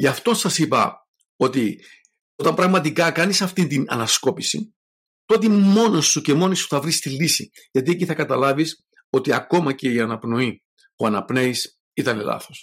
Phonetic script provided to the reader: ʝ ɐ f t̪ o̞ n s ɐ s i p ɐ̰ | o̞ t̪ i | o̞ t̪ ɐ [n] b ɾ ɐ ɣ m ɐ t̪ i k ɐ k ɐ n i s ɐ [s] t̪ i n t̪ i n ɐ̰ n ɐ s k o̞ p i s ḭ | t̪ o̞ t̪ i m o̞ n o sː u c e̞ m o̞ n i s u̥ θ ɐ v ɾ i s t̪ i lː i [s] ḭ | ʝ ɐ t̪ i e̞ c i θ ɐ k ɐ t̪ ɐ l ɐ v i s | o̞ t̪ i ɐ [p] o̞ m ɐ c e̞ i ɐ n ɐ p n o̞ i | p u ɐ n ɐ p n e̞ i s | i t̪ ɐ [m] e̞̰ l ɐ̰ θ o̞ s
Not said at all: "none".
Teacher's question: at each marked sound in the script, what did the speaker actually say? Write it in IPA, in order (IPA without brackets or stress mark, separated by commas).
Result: m, f, s, k, n